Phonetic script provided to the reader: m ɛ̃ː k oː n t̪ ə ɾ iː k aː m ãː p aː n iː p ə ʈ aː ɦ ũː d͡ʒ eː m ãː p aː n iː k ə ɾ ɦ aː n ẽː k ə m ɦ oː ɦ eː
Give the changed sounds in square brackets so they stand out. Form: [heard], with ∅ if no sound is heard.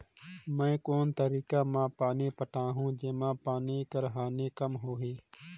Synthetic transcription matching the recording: m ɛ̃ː k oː n t̪ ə ɾ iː k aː m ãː p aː n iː p ə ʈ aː ɦ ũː d͡ʒ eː m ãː p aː n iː k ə ɾ ɦ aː n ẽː k ə m ɦ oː ɦ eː

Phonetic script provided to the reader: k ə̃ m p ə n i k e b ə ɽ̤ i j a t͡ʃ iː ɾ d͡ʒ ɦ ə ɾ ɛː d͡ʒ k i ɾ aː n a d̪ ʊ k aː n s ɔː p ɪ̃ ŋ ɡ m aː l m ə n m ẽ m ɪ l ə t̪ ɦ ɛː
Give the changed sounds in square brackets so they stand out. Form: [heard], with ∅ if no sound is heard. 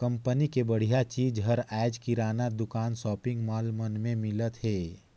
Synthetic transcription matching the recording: k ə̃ m p ə n i k e b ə ɽ̤ i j a t͡ʃ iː [∅] d͡ʒ ɦ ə ɾ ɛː d͡ʒ k i ɾ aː n a d̪ ʊ k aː n s ɔː p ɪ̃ ŋ ɡ m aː l m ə n m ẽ m ɪ l ə t̪ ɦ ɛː

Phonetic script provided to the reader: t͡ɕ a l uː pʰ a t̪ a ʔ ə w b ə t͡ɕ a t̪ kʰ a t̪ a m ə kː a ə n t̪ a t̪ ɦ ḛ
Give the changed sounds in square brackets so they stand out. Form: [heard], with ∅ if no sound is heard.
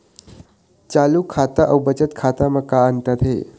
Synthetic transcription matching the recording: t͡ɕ a l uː [kʰ] a t̪ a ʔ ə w b ə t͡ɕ [ə] t̪ kʰ a t̪ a m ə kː a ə n t̪ a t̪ ɦ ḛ

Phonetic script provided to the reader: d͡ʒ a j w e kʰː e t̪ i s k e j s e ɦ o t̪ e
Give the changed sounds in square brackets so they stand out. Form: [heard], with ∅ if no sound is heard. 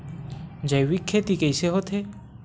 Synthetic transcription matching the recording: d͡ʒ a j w [i] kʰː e t̪ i [∅] k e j s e ɦ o [t̪ʰ] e

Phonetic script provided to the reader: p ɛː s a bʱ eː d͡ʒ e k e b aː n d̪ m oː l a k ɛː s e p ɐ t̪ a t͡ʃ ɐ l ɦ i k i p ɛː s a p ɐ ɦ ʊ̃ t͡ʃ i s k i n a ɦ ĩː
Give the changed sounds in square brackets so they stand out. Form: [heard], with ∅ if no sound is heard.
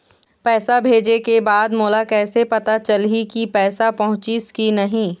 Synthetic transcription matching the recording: p ɛː s a bʱ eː d͡ʒ e k e b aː [∅] d̪ m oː l a k ɛː s e p ɐ t̪ a t͡ʃ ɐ l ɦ i k i p ɛː s a p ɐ ɦ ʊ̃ t͡ʃ i s k i n [ɐ] ɦ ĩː

